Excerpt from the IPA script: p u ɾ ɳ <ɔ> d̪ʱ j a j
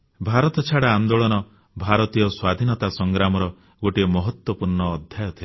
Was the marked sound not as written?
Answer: yes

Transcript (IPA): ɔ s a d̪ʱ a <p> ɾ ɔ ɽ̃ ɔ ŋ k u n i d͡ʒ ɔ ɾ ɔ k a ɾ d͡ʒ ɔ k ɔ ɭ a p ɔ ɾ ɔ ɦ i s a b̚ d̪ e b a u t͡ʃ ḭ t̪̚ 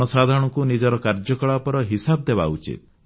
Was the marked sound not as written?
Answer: yes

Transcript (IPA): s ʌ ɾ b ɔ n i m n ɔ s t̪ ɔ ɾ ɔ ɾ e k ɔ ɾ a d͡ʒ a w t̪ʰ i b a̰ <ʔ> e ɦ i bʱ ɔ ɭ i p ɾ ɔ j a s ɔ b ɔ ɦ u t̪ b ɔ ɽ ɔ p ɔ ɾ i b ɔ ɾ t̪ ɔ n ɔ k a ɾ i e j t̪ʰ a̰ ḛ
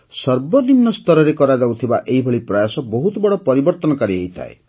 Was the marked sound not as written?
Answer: no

